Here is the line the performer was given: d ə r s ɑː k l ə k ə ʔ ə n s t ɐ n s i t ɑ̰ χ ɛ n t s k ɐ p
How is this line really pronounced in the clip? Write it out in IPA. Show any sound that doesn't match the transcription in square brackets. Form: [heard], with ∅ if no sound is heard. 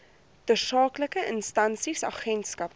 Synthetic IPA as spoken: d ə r s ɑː k l ə k ə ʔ ə n s t ɐ n s i [s] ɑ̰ χ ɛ n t s k ɐ p